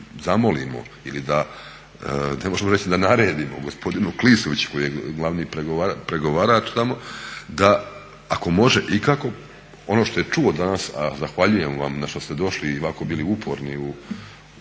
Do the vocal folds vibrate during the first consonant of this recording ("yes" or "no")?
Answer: yes